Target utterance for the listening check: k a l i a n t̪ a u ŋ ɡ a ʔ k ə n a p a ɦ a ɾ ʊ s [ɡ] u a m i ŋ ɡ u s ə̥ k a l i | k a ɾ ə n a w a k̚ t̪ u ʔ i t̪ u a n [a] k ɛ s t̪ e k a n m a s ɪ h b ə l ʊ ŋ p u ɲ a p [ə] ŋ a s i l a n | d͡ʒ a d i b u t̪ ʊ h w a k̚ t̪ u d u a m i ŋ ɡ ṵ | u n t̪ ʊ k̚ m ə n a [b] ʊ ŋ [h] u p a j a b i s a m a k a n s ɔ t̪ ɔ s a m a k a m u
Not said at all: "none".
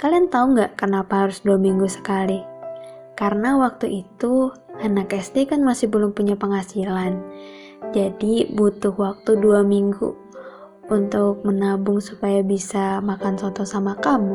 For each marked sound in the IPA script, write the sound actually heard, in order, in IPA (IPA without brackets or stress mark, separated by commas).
d, a, ə, b, s